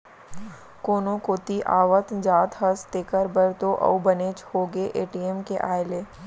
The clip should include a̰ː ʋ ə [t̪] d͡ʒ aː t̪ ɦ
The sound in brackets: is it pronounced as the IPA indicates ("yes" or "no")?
yes